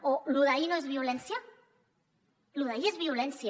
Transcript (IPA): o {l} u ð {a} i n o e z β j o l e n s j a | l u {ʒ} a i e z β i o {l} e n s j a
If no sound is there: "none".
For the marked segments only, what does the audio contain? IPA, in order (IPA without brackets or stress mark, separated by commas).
l, a, ð, l